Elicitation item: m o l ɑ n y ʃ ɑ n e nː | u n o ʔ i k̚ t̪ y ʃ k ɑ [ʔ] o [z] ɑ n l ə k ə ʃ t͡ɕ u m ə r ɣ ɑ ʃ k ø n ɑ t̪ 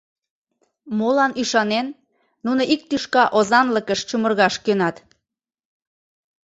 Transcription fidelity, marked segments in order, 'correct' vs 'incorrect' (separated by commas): correct, correct